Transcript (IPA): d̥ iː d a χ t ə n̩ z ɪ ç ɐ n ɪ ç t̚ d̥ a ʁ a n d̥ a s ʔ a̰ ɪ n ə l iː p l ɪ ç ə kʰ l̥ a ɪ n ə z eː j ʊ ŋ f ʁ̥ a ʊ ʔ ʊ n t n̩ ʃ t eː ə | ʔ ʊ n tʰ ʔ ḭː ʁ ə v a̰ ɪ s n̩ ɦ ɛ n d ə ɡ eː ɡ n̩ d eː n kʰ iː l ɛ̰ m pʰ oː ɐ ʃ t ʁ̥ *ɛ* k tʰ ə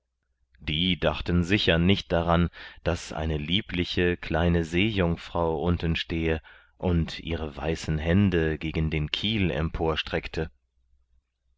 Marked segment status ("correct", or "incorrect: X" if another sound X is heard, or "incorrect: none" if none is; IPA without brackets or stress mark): correct